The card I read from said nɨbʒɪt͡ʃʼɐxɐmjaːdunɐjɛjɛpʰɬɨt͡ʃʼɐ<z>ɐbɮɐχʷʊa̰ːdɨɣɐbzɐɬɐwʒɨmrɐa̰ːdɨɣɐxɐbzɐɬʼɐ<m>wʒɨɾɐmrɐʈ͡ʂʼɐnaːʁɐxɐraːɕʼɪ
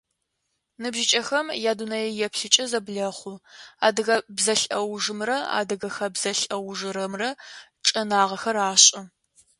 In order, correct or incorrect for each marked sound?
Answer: correct, incorrect: none

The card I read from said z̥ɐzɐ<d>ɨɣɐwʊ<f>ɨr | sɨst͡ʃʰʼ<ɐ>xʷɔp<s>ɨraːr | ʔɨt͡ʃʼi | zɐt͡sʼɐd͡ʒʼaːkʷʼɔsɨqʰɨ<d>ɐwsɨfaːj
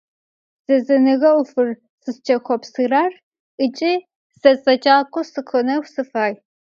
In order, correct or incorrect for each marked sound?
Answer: incorrect: n, correct, correct, correct, incorrect: n

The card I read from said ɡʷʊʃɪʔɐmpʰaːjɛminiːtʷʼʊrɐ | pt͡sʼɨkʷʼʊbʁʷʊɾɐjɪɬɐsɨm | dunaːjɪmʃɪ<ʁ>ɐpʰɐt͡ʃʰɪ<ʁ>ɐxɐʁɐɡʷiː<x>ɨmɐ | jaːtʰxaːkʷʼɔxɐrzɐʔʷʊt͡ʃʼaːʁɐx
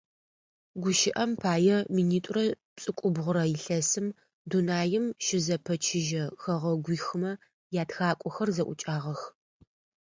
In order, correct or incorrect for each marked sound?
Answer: incorrect: z, incorrect: ʒ, correct

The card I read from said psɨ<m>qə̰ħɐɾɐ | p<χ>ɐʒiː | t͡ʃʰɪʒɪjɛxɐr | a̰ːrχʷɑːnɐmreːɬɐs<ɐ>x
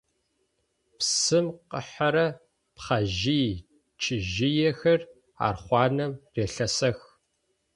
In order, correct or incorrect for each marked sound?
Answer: correct, correct, correct

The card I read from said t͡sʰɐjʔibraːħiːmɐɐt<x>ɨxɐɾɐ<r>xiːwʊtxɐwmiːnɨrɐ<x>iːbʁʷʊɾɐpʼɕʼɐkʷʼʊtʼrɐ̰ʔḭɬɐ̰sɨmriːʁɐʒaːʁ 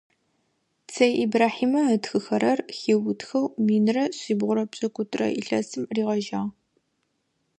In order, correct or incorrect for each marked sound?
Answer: correct, correct, incorrect: ɕ

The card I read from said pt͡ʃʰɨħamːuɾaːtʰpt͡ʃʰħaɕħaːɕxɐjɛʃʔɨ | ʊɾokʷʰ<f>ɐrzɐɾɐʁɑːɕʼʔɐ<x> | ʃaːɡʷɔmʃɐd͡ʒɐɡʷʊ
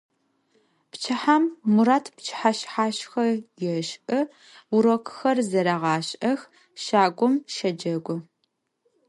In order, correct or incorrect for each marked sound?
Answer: incorrect: x, correct

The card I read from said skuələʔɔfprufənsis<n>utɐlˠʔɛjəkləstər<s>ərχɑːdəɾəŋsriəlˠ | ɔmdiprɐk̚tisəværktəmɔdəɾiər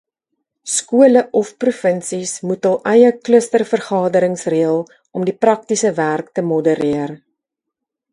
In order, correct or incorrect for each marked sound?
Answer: incorrect: m, incorrect: f

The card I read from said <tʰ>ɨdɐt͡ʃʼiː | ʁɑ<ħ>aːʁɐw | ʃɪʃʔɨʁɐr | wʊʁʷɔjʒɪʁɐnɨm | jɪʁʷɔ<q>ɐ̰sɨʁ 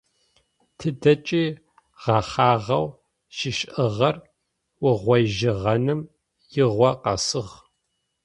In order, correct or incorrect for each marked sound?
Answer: correct, incorrect: χ, correct

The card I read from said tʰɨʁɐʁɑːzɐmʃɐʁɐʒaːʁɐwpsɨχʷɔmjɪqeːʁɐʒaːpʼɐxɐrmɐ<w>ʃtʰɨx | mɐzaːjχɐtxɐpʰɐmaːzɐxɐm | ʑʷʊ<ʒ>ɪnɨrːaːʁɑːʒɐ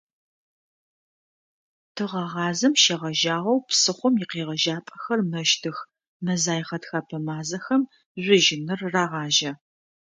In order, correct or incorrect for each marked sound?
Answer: incorrect: none, correct

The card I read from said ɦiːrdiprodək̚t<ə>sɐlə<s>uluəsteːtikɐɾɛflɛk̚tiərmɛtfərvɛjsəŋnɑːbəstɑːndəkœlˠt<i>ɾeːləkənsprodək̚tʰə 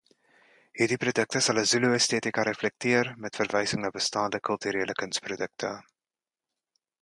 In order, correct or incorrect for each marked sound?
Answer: correct, incorrect: z, incorrect: y

